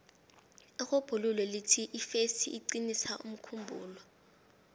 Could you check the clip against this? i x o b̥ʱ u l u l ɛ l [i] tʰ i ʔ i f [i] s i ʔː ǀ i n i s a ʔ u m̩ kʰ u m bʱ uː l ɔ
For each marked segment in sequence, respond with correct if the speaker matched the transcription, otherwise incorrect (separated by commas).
correct, incorrect